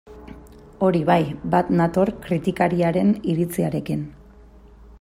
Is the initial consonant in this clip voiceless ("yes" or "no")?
no